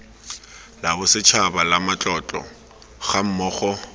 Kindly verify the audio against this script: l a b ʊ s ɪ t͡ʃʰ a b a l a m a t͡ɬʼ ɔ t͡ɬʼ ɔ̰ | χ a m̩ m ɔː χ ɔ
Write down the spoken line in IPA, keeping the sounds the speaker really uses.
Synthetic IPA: l a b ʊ s ɪ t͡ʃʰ a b a l a m a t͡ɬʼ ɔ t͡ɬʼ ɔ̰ | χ a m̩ m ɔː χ ɔ